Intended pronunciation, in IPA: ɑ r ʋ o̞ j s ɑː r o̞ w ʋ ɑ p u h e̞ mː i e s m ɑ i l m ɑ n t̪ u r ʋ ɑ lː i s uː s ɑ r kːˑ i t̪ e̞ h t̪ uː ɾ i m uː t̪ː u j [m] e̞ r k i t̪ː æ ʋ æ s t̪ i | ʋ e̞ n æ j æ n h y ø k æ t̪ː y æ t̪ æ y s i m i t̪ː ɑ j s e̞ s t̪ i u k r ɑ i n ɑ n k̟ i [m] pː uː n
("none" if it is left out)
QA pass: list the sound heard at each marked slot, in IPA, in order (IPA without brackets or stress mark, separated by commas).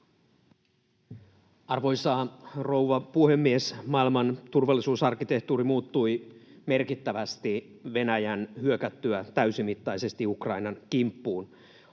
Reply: m, m